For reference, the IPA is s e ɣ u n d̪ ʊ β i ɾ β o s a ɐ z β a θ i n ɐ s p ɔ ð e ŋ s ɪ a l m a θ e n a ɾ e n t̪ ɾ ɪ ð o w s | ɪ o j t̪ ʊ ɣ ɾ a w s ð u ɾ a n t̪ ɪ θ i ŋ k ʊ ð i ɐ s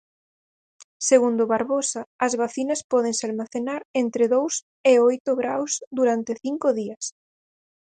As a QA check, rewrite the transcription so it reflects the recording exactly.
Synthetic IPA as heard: s e ɣ u n d̪ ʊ β a ɾ β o s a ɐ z β a θ i n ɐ s p ɔ ð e ŋ s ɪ a l m a θ e n a ɾ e n t̪ ɾ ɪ ð o w s | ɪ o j t̪ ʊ ɣ ɾ a w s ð u ɾ a n t̪ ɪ θ i ŋ k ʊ ð i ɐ s